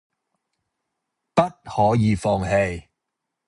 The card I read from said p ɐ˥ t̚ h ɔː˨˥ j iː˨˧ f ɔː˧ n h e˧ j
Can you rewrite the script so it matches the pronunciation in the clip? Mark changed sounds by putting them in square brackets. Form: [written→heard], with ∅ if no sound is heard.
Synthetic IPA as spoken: p ɐ˥ t̚ h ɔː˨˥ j iː˨˧ f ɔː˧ [n→ŋ] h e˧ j